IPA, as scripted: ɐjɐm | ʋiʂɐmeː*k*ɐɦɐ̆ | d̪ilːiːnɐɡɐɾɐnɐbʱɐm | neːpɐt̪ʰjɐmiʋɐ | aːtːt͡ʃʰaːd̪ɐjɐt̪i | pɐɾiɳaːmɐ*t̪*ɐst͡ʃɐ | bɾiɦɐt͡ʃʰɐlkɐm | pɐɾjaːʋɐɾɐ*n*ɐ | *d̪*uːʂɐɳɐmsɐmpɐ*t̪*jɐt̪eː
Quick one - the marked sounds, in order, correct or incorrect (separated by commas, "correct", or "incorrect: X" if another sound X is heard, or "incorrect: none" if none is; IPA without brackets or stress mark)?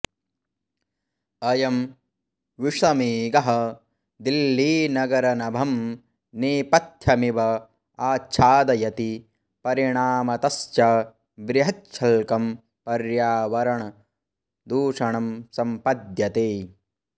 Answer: incorrect: ɡ, correct, incorrect: ɳ, correct, incorrect: d̪